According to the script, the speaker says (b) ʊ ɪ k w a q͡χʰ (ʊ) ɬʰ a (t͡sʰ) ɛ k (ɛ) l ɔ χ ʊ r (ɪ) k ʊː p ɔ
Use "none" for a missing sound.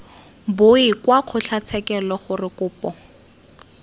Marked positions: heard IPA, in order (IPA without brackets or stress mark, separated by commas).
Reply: b, ʊ, t͡sʰ, ɛ, ɪ